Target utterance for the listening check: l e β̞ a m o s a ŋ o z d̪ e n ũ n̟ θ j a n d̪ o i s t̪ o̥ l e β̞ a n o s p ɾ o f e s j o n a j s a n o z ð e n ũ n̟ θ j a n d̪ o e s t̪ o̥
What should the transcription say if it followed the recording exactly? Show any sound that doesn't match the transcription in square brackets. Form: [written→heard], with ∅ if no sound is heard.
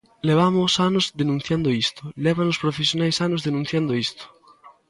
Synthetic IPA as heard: l e β̞ a m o s a [ŋ→n] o z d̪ e n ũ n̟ θ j a n d̪ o i s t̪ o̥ l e β̞ a n o s p ɾ o f e s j o n a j s a n o z ð e n ũ n̟ θ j a n d̪ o [e→i] s t̪ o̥